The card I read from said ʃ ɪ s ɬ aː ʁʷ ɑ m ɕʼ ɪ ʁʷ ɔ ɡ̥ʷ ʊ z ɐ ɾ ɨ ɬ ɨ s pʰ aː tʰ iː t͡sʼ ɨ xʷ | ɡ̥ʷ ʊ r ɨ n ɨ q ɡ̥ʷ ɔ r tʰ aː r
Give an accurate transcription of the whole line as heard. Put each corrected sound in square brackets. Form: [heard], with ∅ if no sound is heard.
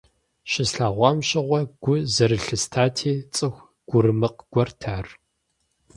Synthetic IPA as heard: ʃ ɪ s ɬ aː ʁʷ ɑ m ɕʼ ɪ ʁʷ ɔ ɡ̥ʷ ʊ z ɐ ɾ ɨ ɬ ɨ s [tʰ] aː tʰ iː t͡sʼ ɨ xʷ | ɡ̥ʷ ʊ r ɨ [m] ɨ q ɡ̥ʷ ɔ r tʰ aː r

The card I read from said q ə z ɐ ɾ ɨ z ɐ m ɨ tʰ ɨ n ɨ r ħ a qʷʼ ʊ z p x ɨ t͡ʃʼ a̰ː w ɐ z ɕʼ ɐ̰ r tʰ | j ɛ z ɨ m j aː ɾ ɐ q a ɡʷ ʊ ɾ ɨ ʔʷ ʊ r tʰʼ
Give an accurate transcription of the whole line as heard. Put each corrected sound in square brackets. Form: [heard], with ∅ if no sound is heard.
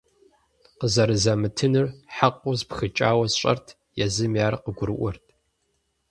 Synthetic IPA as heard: q ə z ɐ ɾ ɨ z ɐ m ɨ tʰ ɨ n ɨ r ħ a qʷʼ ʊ z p x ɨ t͡ʃʼ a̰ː w ɐ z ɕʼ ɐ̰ r tʰ | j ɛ z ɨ m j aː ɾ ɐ q [ə] ɡʷ ʊ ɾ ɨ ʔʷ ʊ r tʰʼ

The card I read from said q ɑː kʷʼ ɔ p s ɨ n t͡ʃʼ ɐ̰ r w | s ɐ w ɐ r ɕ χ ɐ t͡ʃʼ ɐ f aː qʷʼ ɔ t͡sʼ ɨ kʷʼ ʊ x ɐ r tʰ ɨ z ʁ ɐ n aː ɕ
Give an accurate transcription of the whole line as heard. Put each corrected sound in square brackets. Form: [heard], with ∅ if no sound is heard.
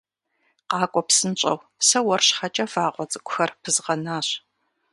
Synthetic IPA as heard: q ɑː kʷʼ ɔ p s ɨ n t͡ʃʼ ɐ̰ [∅] w | s ɐ w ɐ r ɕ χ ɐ t͡ʃʼ ɐ f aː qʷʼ ɔ t͡sʼ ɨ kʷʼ ʊ x ɐ r [pʰ] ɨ z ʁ ɐ n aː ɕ

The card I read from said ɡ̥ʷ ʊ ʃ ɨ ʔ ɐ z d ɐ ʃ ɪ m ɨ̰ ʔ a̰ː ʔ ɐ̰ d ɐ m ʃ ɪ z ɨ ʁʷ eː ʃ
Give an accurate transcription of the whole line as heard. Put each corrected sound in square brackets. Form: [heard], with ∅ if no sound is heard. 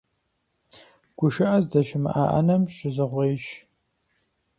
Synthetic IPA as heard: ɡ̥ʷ ʊ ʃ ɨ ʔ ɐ z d ɐ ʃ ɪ m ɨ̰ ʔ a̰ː ʔ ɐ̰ [n] ɐ m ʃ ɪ z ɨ ʁʷ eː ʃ

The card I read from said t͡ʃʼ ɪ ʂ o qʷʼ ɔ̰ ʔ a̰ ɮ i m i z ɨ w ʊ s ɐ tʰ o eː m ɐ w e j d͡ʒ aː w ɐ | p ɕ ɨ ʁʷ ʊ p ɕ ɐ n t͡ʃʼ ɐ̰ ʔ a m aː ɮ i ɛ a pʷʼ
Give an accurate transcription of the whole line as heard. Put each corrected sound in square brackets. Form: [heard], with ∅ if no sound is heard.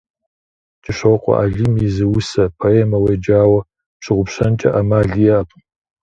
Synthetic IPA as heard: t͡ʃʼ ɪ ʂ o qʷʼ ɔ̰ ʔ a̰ ɮ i m i z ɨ w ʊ s ɐ [pʰ] o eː m ɐ w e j d͡ʒ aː w ɐ | p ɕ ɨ ʁʷ ʊ p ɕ ɐ n t͡ʃʼ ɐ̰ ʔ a m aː ɮ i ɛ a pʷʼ

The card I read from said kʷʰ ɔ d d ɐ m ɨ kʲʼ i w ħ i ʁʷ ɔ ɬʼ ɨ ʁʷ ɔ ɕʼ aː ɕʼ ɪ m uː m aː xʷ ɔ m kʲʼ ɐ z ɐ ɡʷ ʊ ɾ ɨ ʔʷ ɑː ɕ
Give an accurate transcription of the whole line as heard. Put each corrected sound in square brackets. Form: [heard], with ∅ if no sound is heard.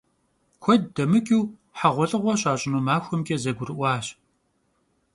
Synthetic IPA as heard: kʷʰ ɔ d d ɐ m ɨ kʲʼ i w ħ [a] ʁʷ ɔ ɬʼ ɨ ʁʷ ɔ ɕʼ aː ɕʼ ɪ [n] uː m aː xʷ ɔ m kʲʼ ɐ z ɐ ɡʷ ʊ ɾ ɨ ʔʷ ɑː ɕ

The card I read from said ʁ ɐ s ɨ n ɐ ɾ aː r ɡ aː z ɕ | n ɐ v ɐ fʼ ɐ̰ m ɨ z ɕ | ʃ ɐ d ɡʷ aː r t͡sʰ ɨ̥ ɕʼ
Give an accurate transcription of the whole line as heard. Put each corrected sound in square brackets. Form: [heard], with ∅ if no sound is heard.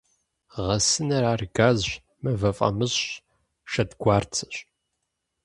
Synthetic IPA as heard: ʁ ɐ s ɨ n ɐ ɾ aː r ɡ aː z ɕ | [m] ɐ v ɐ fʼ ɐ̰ m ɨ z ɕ | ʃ ɐ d ɡʷ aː r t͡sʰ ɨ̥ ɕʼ

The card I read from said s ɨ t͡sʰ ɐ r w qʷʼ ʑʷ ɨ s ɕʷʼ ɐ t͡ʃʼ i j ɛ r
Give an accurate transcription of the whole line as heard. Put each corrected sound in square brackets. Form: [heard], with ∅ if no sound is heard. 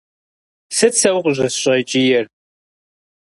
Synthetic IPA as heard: s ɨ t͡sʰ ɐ [∅] w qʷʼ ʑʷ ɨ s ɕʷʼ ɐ t͡ʃʼ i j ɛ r

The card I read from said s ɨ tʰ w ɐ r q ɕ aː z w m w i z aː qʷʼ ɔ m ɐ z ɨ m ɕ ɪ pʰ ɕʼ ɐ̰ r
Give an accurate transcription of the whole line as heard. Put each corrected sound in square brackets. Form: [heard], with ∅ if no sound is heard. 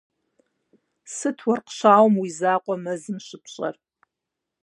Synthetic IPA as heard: s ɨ tʰ w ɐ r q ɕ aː [∅] w m w i z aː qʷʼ ɔ m ɐ z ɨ m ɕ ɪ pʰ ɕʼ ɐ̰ r

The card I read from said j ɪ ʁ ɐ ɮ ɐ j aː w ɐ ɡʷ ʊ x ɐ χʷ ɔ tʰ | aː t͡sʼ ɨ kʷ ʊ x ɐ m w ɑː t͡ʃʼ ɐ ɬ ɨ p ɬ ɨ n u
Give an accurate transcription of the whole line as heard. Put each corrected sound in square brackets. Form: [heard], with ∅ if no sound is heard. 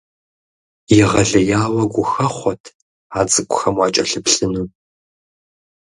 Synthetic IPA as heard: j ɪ ʁ ɐ ɮ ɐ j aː w ɐ ɡʷ ʊ x ɐ χʷ ɔ tʰ | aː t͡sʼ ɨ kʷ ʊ x ɐ m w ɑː t͡ʃʼ ɐ ɬ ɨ p ɬ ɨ n u

